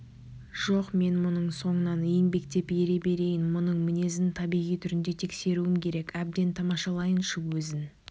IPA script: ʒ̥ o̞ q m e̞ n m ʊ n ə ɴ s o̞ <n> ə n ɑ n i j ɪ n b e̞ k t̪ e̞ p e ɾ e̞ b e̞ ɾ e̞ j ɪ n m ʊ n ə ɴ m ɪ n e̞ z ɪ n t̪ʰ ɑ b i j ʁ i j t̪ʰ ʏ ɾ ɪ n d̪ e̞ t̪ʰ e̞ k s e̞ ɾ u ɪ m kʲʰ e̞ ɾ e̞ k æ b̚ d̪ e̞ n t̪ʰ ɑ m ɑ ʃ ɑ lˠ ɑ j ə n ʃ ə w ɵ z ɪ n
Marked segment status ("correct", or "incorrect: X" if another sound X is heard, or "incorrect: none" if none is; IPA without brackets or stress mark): incorrect: ɴ